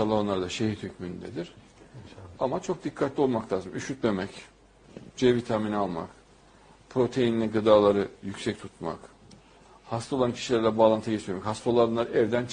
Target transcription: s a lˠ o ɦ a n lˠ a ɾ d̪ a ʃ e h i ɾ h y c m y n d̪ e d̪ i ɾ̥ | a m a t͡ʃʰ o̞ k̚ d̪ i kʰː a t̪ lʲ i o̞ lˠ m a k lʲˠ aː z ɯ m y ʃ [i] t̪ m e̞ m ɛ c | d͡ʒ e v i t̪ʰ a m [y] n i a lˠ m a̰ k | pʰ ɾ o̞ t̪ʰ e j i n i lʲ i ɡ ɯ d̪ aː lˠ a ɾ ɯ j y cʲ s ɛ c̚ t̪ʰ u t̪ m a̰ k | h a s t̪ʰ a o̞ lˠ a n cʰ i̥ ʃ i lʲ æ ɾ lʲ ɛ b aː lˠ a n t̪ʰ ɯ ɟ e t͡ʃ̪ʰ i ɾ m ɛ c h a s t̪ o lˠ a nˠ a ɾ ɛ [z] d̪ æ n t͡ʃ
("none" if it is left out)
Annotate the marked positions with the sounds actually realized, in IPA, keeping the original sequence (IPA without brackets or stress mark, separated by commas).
y, i, v